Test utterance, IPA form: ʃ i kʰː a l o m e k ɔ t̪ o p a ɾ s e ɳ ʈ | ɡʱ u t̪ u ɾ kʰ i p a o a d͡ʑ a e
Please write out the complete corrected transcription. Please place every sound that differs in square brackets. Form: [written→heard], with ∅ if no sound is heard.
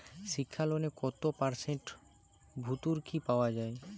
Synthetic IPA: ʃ i kʰː a l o [m→n] e k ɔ t̪ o p a ɾ s e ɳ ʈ | [ɡʱ→bʱ] u t̪ u ɾ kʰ i p a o a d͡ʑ a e